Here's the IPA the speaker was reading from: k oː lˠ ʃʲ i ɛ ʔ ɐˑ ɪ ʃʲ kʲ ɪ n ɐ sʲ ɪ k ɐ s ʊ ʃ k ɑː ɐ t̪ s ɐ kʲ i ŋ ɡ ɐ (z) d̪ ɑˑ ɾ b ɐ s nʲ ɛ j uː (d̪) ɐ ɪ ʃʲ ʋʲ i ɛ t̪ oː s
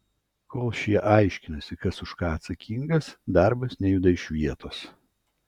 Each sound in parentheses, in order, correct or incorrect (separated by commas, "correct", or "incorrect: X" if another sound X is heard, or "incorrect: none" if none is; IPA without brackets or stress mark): incorrect: s, correct